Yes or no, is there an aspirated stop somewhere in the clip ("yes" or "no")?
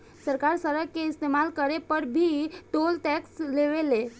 no